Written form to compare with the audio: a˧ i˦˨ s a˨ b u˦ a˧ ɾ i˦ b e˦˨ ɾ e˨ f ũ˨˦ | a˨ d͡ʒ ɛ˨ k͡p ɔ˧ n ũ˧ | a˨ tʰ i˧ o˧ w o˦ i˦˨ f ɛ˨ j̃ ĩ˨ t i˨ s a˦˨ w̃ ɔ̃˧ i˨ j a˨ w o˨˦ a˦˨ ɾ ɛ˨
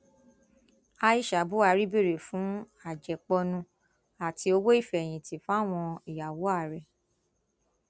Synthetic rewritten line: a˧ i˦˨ ʃ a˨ b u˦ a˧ ɾ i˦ b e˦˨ ɾ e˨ f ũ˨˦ | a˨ d͡ʒ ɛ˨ k͡p ɔ˧ n ũ˧ | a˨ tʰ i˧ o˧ w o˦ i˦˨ f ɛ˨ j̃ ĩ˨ t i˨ f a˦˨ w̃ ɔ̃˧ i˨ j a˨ w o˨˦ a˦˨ ɾ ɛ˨